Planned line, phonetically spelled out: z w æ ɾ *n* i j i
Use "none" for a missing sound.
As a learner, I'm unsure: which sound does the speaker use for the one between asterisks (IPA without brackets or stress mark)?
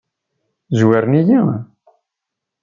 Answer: n